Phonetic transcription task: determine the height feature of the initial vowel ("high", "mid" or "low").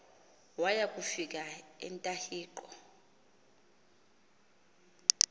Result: low